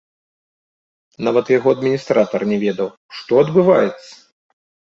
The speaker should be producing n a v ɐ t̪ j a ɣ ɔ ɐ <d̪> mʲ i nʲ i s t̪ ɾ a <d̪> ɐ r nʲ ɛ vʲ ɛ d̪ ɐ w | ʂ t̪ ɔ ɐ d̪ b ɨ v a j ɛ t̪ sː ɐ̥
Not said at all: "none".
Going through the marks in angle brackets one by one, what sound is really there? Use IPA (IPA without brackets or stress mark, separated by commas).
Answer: d̪, t̪